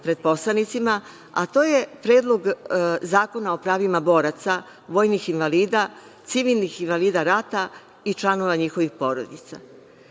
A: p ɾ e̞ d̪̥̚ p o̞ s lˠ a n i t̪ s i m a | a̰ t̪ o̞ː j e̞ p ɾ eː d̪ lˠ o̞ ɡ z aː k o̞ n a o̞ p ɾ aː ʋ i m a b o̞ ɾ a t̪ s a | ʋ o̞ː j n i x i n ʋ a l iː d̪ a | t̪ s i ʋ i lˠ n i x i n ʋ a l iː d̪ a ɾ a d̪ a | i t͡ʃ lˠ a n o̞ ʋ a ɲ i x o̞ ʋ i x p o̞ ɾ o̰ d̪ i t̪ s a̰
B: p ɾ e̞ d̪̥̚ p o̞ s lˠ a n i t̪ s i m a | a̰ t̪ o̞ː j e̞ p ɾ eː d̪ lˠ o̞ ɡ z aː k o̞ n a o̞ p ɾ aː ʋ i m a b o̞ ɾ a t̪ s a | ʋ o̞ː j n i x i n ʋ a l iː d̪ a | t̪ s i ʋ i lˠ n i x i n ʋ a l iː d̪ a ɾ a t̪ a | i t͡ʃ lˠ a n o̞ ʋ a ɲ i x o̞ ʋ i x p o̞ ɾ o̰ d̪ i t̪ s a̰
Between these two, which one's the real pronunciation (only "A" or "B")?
B